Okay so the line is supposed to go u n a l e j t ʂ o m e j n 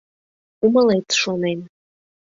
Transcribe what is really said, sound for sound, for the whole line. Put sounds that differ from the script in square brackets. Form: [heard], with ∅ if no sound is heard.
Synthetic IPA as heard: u [m] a l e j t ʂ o [n] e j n